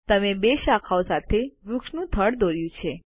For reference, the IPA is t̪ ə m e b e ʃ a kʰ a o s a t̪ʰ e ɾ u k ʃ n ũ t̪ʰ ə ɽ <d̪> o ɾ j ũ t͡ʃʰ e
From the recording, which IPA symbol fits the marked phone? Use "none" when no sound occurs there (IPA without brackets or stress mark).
d̪